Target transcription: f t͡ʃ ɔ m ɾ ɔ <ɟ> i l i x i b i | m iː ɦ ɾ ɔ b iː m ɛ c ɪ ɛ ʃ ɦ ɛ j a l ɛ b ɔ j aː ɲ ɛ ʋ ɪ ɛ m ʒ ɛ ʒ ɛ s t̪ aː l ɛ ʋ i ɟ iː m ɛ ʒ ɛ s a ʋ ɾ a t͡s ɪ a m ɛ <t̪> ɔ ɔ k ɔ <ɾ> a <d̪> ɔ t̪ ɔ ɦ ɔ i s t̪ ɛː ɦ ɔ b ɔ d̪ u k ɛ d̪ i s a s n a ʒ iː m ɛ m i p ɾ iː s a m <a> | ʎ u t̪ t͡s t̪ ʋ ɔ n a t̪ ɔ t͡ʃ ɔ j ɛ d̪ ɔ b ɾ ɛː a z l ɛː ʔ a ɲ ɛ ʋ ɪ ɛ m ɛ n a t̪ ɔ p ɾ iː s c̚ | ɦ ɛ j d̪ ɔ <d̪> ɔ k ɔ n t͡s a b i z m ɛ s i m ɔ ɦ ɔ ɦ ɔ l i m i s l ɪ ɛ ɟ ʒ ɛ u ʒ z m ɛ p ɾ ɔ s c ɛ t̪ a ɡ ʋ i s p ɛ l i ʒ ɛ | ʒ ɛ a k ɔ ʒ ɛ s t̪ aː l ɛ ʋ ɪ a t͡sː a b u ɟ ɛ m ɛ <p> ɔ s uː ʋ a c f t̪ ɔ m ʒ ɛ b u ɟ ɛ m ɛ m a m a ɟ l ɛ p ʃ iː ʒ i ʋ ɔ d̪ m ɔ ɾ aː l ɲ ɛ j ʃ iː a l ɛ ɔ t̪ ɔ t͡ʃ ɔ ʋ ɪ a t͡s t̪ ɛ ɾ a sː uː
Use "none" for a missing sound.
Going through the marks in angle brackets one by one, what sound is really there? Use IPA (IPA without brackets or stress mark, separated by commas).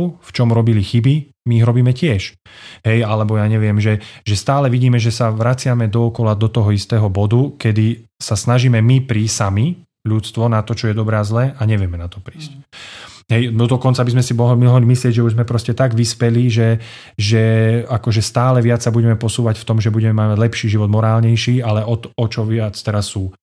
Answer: b, d̪, l, d̪, i, d̪, p